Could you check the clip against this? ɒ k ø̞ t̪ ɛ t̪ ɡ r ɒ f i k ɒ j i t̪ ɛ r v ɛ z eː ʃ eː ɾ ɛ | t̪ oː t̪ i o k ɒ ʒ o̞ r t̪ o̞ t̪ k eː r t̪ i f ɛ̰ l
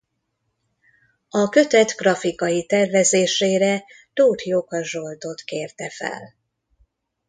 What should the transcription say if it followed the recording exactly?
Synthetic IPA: ɒ k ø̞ t̪ ɛ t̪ ɡ r ɒ f i k ɒ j i t̪ ɛ r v ɛ z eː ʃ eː ɾ ɛ | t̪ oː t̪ j o k ɒ ʒ o̞ l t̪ o̞ t̪ k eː r t̪ ɛ f ɛ̰ l